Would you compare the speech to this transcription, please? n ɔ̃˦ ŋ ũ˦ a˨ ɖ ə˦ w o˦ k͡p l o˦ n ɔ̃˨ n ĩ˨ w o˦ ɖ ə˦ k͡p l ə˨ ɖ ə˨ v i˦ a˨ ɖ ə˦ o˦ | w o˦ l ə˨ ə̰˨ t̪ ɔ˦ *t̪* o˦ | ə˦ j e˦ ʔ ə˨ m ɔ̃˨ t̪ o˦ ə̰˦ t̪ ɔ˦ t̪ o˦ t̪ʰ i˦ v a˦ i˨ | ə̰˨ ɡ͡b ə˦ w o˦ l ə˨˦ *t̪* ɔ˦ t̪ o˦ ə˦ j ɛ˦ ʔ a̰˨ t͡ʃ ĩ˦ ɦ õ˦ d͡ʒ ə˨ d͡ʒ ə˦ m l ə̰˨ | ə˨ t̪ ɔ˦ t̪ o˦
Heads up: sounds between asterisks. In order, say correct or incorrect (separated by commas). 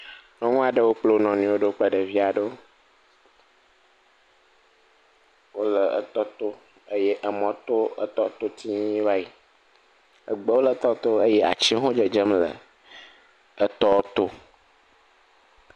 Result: correct, correct